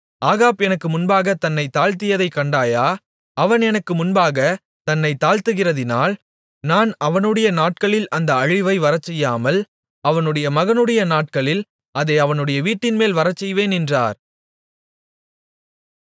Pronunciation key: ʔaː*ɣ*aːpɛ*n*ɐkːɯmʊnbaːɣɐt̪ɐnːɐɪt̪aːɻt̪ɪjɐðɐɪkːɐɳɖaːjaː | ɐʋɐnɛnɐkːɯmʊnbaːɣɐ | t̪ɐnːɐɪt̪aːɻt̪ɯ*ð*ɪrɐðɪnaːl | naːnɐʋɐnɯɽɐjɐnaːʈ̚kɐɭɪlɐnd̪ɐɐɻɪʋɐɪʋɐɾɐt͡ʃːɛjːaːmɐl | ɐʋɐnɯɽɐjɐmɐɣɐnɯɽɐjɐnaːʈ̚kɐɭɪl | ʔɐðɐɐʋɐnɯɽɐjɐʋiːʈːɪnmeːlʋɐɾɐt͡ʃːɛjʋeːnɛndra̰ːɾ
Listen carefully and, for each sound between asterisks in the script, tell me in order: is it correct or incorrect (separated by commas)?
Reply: correct, correct, incorrect